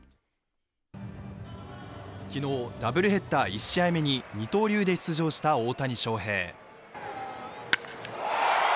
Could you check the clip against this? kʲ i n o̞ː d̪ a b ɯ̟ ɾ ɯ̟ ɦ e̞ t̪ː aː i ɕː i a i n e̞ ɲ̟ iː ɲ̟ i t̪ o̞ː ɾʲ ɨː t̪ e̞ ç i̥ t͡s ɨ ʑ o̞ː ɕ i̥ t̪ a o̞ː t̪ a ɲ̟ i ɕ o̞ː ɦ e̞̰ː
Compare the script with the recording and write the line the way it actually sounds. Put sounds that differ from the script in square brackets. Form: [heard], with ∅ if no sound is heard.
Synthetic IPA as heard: kʲ i n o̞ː d̪ a b ɯ̟ ɾ ɯ̟ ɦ e̞ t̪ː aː i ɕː i a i [m] e̞ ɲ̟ [i] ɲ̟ i t̪ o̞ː ɾʲ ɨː [d̪] e̞ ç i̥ t͡s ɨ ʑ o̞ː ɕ i̥ t̪ a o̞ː t̪ a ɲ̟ i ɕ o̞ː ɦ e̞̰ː